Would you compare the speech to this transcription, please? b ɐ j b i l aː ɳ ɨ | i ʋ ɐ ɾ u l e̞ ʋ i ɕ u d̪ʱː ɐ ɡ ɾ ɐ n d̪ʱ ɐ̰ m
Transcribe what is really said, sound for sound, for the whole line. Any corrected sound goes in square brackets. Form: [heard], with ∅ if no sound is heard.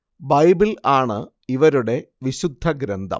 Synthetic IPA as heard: b ɐ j b i l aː ɳ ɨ | i ʋ ɐ ɾ u [ɽ] e̞ ʋ i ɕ u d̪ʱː ɐ ɡ ɾ ɐ n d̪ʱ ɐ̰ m